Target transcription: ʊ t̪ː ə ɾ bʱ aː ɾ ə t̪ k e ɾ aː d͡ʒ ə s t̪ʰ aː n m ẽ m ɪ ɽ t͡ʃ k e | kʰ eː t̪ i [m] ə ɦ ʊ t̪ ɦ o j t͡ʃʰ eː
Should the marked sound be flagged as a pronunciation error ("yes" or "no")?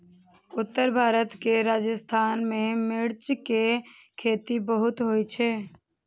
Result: yes